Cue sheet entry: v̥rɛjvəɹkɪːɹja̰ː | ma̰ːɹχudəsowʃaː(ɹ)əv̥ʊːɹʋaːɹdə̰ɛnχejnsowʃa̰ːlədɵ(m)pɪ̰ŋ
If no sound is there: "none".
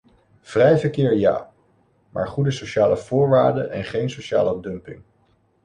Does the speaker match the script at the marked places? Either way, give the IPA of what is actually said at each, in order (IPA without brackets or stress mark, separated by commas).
l, m